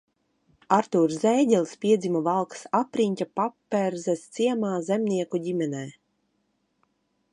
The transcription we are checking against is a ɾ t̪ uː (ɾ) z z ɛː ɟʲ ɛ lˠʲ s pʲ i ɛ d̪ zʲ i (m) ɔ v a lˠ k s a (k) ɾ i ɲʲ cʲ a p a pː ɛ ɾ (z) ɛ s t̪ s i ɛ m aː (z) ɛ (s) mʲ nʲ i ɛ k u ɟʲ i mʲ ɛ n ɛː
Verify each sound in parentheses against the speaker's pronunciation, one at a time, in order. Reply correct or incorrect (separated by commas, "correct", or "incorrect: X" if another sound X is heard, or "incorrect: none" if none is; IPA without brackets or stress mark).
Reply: correct, correct, incorrect: p, correct, correct, incorrect: none